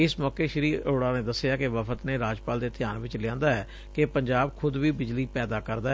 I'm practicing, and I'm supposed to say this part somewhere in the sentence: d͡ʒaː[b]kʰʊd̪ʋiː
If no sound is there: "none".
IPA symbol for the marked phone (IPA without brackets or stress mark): b